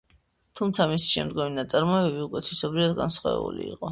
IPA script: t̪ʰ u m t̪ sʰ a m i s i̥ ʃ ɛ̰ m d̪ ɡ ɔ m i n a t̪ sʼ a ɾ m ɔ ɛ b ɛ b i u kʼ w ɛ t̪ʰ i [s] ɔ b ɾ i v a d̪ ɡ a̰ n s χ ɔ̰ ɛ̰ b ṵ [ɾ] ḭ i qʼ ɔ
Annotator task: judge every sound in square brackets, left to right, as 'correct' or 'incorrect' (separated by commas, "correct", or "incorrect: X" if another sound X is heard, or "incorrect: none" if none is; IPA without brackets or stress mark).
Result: correct, incorrect: l